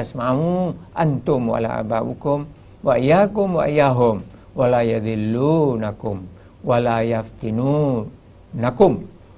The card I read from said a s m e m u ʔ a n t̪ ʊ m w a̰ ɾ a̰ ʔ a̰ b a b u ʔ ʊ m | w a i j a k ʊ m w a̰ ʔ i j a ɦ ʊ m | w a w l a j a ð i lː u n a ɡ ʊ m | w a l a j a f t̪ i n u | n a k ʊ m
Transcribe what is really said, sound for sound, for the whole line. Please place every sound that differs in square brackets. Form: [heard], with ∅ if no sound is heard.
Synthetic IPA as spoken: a s m [a] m u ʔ a n t̪ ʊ m w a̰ [l] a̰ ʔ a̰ b a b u [k] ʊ m | w a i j a k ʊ m w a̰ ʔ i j a ɦ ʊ m | w a [∅] l a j a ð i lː u n a [k] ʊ m | w a l a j a f t̪ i n u | n a k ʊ m